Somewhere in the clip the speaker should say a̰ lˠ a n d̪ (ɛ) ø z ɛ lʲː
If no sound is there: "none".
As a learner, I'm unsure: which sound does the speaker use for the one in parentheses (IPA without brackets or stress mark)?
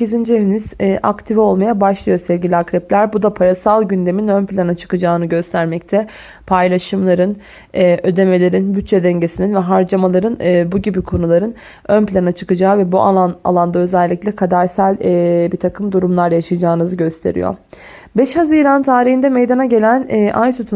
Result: a